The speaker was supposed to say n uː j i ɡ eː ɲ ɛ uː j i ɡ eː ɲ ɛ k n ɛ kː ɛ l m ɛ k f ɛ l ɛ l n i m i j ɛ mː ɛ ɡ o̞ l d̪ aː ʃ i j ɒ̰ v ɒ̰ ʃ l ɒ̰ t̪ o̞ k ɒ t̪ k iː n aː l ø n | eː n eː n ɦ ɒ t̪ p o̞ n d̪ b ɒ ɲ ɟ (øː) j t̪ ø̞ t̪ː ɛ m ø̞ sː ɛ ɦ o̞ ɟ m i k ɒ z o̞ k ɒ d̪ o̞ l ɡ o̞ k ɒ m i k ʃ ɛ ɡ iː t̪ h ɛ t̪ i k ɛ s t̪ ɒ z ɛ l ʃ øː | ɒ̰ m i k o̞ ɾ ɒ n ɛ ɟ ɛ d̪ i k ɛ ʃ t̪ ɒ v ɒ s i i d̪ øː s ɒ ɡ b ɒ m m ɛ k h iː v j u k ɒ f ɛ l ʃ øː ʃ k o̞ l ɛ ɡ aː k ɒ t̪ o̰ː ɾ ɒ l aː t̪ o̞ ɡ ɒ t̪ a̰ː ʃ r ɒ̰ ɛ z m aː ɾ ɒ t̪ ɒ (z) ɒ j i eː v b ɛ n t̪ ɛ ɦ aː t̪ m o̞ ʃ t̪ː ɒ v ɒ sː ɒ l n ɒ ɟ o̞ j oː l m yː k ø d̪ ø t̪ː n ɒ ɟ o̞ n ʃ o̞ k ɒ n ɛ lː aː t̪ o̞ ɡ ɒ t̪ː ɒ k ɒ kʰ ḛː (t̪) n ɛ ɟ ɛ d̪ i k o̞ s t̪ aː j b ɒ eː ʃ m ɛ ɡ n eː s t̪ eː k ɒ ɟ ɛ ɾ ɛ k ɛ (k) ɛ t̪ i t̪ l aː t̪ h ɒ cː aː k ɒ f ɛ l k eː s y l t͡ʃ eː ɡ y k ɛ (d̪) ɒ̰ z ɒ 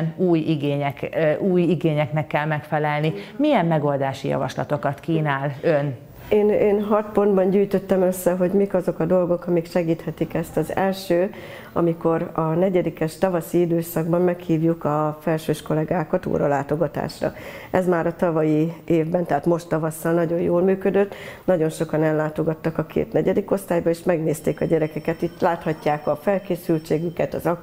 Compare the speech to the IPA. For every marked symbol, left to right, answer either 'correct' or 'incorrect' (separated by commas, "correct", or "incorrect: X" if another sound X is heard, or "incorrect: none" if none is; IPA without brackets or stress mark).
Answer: incorrect: yː, incorrect: v, correct, correct, incorrect: t̪